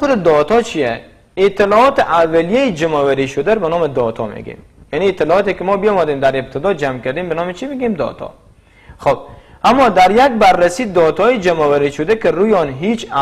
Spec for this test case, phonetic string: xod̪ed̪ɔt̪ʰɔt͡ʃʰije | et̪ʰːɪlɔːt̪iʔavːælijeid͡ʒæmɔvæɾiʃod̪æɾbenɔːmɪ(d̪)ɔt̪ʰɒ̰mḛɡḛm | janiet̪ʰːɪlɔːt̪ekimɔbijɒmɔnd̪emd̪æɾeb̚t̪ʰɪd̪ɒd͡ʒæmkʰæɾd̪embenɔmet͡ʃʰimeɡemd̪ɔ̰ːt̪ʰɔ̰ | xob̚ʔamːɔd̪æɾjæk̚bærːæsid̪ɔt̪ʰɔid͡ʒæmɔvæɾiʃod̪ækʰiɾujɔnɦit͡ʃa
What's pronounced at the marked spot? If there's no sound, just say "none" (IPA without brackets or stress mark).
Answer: d̪